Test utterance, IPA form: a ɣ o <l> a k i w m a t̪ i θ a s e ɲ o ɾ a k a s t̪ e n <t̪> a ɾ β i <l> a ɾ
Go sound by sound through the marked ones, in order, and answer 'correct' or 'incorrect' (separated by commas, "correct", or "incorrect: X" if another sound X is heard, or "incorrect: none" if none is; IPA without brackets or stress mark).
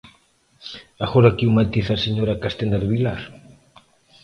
incorrect: ɾ, incorrect: d̪, correct